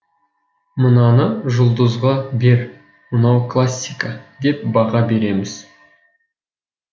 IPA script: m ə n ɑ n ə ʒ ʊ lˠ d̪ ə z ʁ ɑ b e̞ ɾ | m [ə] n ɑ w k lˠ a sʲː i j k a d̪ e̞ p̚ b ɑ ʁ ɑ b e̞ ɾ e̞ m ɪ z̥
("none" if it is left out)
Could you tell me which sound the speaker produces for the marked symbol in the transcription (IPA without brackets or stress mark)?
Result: ə